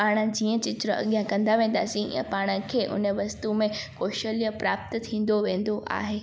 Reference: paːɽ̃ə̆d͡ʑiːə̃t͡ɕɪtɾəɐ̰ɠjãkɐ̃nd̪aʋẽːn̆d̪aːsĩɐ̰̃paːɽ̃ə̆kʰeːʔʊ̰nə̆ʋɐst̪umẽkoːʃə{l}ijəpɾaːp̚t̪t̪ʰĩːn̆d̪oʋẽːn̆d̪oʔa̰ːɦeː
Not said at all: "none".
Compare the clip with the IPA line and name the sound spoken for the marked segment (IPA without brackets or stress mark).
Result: l